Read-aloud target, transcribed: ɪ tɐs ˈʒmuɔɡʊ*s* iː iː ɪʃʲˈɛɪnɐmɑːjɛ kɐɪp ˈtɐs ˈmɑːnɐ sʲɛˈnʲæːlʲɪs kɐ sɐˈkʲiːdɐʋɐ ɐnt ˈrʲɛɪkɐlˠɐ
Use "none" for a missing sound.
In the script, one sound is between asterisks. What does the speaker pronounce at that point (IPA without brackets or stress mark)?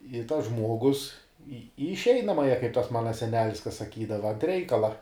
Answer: s